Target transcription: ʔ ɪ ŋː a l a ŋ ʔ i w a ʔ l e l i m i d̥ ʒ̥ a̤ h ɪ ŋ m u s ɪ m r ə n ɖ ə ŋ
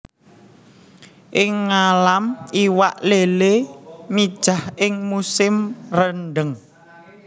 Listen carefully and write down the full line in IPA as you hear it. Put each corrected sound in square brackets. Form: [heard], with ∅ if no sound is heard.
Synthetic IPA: ʔ ɪ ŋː a l a [m] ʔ i w a ʔ l e l [e] m i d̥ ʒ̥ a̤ h ɪ ŋ m u s ɪ m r ə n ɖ ə ŋ

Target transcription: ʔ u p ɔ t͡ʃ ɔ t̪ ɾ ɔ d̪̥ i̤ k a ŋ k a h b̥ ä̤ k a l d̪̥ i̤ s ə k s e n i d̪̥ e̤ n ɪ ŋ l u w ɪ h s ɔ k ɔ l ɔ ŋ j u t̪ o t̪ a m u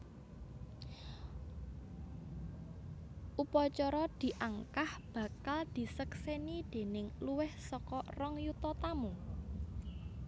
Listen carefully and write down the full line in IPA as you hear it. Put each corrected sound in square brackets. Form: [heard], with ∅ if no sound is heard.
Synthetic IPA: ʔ u p ɔ t͡ʃ ɔ [∅] ɾ ɔ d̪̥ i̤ [ʔ] a ŋ k a h b̥ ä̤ k a l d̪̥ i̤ s ə k s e n i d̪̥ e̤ n ɪ ŋ l u w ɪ h s ɔ k ɔ [r] ɔ ŋ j u t̪ [ɔ] t̪ a m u

